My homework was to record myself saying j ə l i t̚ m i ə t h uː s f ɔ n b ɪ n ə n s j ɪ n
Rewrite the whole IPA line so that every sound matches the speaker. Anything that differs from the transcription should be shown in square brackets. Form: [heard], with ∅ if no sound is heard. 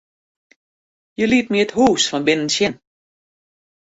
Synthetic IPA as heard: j ə l i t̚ m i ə t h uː s f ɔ n b ɪ n ə n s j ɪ n